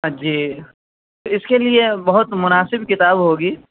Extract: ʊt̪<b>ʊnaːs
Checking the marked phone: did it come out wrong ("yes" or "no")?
yes